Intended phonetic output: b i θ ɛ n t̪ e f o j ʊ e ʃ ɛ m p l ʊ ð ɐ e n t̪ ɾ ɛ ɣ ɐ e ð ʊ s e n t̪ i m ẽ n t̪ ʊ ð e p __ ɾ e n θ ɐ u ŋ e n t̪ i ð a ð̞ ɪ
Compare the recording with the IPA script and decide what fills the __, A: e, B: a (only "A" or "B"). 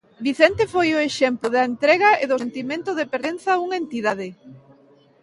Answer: A